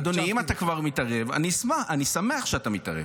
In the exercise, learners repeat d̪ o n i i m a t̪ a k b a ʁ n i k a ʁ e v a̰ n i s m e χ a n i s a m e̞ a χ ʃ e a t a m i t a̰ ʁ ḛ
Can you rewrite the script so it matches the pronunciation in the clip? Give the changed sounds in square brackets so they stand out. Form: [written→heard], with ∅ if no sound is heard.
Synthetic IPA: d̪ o n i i m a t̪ a k [b→v] a ʁ [n→m] i [k→t] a ʁ e v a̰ n i s m [e→a] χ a n i s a m e̞ a χ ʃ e a t a m i t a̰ ʁ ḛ